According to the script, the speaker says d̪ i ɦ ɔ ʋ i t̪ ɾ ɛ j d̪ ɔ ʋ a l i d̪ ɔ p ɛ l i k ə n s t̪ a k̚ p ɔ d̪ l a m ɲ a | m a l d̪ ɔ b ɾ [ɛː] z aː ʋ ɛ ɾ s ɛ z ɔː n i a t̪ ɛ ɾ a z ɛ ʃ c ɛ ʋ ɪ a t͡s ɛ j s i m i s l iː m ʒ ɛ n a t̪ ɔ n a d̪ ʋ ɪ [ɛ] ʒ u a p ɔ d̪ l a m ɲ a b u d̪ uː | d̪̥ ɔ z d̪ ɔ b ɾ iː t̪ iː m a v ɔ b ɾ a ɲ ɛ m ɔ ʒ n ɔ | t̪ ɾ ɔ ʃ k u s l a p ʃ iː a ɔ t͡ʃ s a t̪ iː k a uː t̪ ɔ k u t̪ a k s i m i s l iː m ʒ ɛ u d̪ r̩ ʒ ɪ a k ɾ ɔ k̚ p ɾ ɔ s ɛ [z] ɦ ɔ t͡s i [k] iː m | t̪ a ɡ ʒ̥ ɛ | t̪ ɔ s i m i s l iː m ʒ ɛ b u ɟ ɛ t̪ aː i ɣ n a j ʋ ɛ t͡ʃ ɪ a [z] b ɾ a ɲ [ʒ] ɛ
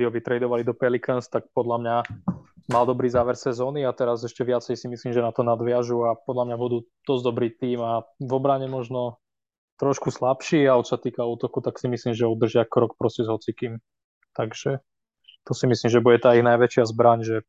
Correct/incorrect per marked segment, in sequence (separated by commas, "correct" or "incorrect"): incorrect, incorrect, correct, correct, correct, correct